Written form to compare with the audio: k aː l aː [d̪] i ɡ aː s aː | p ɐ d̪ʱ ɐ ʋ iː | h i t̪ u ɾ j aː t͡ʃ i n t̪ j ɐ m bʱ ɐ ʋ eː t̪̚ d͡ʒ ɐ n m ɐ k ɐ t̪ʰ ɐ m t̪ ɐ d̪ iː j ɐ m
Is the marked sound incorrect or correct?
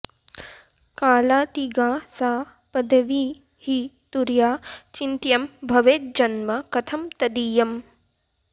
incorrect